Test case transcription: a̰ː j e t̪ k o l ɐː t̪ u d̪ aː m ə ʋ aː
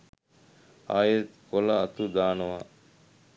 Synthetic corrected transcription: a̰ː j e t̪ k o l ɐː t̪ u d̪ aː n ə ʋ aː